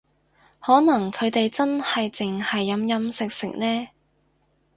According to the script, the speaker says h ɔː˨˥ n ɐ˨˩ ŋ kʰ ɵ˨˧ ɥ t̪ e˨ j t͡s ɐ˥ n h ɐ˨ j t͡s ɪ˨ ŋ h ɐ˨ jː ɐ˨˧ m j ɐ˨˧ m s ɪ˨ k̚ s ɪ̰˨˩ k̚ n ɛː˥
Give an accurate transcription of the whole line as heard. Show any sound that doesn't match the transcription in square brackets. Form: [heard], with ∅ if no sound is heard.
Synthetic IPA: h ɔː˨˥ n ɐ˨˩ ŋ kʰ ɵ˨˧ ɥ t̪ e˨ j t͡s ɐ˥ n h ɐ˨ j t͡s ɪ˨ ŋ h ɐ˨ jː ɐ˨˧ m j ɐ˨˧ m s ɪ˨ k̚ s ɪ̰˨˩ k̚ n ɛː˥